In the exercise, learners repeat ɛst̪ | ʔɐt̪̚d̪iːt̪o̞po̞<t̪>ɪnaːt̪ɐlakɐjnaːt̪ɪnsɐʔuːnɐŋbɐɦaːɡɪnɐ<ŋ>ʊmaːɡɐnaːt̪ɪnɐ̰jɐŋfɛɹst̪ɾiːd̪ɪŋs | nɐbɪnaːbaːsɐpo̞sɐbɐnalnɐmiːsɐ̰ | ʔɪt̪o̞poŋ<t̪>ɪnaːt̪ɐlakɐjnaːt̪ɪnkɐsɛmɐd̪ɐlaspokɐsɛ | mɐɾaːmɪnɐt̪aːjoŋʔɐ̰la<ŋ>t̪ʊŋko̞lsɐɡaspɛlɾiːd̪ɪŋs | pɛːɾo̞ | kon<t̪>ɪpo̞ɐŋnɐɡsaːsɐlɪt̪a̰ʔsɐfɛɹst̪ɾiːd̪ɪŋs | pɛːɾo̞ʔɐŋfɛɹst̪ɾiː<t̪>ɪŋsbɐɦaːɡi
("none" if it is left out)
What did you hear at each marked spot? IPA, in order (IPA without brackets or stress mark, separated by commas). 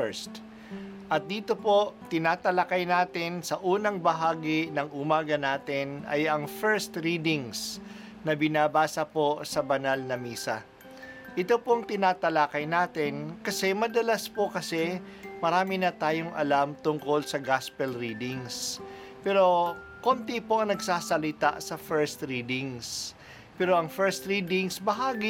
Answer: t̪, ŋ, t̪, m, t̪, d̪